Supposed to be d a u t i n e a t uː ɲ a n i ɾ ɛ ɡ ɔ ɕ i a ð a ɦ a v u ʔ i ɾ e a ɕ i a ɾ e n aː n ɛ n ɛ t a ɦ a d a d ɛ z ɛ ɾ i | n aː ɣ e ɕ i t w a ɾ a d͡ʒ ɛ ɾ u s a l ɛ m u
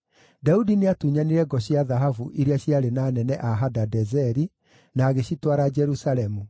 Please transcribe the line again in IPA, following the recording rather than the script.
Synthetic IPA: d a u d i n e a t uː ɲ a n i ɾ ɛ ɡ ɔ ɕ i a ð a ɦ a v u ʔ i ɾ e a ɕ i a ɾ e n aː n ɛ n ɛ ʔ a ɦ a d a d ɛ z ɛ ɾ i | n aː ɣ e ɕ i t w a ɾ a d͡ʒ ɛ ɾ u s a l ɛ m u